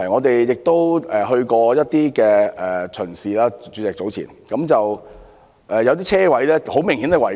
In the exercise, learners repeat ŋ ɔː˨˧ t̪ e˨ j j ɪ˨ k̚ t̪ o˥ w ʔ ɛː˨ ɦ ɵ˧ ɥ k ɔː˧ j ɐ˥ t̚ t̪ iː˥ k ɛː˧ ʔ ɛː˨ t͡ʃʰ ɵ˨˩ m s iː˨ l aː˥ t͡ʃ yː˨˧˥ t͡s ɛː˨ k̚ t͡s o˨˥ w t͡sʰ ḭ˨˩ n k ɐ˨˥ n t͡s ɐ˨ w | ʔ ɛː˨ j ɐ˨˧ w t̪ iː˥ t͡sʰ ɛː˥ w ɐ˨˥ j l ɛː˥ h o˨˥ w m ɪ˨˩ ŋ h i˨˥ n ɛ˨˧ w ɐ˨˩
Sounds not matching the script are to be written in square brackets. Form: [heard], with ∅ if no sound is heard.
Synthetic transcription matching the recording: ŋ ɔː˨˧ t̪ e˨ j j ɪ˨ k̚ t̪ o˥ w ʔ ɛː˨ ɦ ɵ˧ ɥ k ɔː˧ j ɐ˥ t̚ t̪ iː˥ k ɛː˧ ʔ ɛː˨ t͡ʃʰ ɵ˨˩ [n] s iː˨ l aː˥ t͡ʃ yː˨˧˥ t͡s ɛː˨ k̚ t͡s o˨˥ w t͡sʰ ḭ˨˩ n k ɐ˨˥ [m] t͡s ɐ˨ w | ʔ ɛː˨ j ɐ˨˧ w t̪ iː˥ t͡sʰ ɛː˥ w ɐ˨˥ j l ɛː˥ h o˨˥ w m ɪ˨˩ ŋ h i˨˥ n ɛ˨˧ w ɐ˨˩